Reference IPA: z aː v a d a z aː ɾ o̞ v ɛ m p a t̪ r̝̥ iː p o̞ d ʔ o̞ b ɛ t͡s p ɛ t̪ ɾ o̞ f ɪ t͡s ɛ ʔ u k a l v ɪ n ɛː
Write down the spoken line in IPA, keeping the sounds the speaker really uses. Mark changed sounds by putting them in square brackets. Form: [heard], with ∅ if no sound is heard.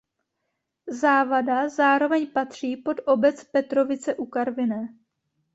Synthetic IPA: z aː v a d a z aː ɾ o̞ v ɛ [ɲ] p a t̪ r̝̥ iː p o̞ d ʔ o̞ b ɛ t͡s p ɛ t̪ ɾ o̞ [v] ɪ t͡s ɛ ʔ u k a [ɾ] v ɪ n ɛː